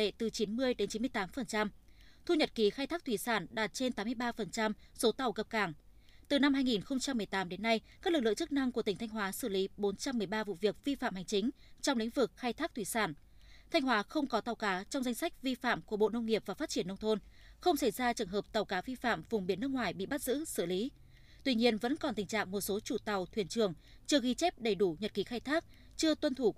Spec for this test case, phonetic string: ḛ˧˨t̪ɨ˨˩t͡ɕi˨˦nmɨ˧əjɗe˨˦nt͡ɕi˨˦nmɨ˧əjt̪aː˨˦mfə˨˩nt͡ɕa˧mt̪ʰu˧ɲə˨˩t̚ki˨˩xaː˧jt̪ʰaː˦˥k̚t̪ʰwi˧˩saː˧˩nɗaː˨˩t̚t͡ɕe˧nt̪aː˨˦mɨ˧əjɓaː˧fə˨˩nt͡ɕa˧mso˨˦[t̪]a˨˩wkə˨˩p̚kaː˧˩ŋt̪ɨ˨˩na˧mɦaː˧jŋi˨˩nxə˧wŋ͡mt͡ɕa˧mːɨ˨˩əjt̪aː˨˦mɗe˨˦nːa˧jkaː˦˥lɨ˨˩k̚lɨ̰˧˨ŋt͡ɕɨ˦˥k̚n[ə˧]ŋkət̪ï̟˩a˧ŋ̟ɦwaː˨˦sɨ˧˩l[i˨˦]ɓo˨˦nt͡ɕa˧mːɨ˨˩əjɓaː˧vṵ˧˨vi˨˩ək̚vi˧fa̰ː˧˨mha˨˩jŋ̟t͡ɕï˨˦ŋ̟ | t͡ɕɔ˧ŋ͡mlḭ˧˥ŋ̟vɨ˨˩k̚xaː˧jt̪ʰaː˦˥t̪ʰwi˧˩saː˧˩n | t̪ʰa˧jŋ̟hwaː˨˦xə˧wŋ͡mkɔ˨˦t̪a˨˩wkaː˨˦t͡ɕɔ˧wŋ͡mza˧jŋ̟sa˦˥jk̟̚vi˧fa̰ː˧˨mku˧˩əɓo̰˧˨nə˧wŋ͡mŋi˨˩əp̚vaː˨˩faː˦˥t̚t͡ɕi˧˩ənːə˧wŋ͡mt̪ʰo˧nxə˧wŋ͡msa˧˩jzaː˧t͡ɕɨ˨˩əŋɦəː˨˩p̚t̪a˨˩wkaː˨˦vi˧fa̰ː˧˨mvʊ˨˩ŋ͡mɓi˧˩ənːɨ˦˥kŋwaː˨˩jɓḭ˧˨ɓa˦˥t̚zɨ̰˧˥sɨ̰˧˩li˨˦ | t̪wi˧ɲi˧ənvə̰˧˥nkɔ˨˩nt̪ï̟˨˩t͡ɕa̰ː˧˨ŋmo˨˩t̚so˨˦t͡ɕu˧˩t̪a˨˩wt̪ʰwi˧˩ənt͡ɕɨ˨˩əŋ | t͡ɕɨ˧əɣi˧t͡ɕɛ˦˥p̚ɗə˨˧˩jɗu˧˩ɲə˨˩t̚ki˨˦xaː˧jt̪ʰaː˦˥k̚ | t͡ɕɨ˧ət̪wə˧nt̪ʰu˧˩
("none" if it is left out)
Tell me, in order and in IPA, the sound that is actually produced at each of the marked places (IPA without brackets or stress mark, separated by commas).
t̪, a˧, i˨˦